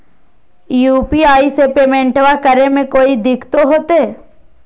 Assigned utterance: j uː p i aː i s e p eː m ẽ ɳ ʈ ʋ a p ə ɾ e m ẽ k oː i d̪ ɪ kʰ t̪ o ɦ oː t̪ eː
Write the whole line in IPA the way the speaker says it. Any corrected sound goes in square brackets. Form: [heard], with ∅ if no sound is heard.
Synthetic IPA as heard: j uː p i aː i s e p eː m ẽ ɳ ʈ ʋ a [k] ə ɾ e m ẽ k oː i d̪ ɪ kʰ t̪ o ɦ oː t̪ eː